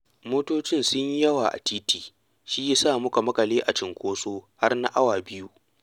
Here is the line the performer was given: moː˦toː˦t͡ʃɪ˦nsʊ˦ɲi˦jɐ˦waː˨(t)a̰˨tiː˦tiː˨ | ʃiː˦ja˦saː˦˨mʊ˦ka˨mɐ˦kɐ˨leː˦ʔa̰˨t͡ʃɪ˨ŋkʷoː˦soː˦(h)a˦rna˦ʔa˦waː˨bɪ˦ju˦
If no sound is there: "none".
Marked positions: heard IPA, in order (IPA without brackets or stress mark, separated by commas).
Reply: ʔ, h